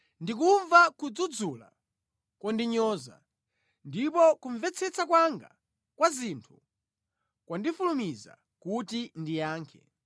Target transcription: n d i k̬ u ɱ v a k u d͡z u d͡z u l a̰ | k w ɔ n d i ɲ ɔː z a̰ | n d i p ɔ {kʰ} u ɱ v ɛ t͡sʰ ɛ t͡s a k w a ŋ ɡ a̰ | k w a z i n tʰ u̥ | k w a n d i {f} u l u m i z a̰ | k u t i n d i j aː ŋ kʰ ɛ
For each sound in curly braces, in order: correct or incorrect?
incorrect: k, correct

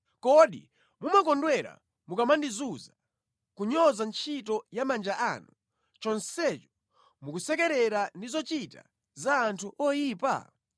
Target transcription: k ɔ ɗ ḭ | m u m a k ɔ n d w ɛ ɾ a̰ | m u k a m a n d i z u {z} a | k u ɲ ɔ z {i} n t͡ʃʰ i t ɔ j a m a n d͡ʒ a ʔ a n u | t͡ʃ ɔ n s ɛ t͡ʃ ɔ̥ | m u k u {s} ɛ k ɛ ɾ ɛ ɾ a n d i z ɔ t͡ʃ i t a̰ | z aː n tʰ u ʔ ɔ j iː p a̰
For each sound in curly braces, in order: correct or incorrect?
correct, incorrect: a, correct

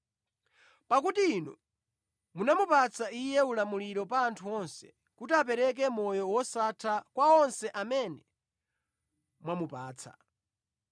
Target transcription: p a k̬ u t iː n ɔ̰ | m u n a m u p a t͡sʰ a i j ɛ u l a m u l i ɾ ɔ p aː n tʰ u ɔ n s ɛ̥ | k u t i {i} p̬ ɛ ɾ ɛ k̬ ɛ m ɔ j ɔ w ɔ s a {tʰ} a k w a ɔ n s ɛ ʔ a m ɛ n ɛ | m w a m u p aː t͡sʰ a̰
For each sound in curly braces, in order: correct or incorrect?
incorrect: a, correct

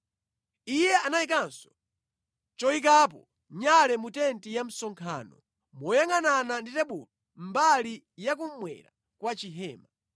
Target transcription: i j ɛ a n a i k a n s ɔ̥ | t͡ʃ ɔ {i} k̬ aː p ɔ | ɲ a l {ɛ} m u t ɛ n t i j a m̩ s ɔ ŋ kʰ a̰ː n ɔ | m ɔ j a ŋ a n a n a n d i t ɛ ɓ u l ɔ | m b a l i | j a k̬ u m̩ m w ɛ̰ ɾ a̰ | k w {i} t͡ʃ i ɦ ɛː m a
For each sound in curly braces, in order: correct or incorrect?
correct, correct, incorrect: a

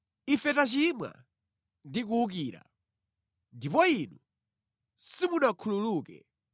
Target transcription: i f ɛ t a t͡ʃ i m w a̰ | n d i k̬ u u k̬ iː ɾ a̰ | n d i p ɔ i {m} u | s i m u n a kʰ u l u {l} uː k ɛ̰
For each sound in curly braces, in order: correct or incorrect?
incorrect: n, correct

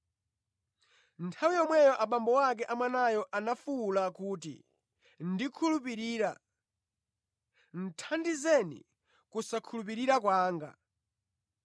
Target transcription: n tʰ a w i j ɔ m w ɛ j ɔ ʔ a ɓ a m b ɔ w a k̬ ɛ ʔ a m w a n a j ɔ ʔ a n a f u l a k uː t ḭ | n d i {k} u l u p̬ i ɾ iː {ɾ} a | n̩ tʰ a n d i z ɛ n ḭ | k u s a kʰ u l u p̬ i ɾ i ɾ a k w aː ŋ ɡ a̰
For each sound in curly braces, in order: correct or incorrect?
incorrect: kʰ, correct

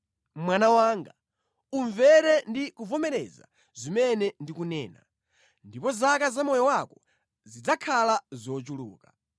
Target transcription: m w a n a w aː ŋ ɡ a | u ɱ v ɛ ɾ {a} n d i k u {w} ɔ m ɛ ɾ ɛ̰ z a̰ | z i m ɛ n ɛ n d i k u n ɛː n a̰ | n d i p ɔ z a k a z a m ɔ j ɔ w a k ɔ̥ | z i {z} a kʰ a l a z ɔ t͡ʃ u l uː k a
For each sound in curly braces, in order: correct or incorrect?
incorrect: ɛ, incorrect: v, incorrect: d͡z

